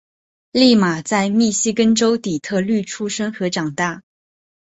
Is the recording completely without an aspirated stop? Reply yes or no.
no